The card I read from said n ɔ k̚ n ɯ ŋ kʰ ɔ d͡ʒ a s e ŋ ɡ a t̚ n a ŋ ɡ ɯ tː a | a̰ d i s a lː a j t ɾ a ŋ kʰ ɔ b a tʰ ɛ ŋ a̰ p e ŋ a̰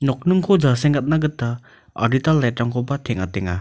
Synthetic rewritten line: n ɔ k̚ n ɯ ŋ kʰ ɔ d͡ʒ a s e ŋ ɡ a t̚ n a ɡ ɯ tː a | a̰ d i t a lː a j t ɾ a ŋ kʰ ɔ b a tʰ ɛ ŋ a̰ t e ŋ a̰